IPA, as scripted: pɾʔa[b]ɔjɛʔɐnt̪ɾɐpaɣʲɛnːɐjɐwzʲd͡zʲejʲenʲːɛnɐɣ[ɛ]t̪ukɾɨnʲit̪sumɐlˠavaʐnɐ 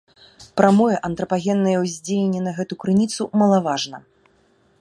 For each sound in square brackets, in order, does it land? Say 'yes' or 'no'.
no, yes

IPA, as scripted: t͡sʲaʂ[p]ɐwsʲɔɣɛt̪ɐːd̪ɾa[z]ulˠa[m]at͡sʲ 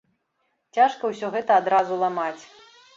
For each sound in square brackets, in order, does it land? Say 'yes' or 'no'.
no, yes, yes

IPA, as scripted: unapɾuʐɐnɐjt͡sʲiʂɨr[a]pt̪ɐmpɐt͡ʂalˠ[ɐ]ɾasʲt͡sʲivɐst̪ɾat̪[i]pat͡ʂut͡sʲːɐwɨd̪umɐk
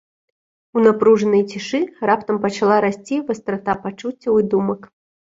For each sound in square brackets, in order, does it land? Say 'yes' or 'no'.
yes, no, no

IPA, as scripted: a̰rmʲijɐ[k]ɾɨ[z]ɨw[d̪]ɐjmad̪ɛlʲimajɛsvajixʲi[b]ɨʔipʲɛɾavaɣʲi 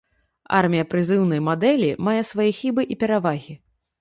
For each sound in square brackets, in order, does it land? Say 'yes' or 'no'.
no, yes, no, yes

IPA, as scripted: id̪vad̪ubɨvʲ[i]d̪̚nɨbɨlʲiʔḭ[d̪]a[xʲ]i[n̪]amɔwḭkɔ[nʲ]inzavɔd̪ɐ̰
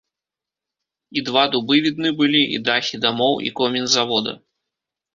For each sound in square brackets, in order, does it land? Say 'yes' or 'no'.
yes, yes, yes, no, no

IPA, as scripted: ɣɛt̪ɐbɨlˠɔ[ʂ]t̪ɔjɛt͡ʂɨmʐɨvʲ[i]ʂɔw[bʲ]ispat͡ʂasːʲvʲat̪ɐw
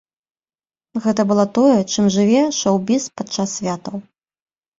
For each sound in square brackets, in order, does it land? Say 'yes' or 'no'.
no, no, yes

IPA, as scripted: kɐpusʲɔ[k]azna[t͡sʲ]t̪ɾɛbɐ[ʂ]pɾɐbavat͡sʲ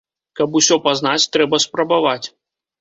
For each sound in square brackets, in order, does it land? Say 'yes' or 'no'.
no, yes, no

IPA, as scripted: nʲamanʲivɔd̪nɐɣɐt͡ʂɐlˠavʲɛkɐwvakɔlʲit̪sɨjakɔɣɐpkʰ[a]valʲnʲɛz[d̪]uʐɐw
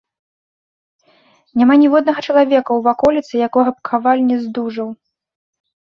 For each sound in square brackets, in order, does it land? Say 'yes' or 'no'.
yes, yes

